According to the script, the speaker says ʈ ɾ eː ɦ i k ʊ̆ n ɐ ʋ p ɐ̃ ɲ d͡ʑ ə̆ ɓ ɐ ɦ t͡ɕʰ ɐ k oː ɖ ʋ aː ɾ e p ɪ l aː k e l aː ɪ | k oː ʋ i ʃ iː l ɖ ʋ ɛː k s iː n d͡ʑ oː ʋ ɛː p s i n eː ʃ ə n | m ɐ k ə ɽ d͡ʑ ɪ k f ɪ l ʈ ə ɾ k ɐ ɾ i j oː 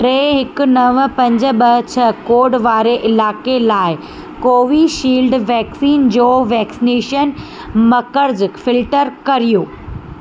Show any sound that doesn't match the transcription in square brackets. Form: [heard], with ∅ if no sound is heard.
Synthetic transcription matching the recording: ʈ ɾ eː ɦ [ɪ] k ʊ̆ n ɐ ʋ p ɐ̃ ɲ d͡ʑ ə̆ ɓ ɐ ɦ t͡ɕʰ ɐ k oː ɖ ʋ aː ɾ e [ʔ] ɪ l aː k e l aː ɪ | k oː ʋ i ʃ iː l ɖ ʋ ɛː k s iː n d͡ʑ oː ʋ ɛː [k] s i n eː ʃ ə n | m ɐ k ə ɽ d͡ʑ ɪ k f ɪ l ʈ ə ɾ k ɐ ɾ i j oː